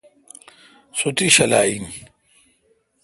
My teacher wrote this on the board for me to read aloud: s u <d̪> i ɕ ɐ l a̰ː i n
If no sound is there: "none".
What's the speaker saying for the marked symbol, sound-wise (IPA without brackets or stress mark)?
t̪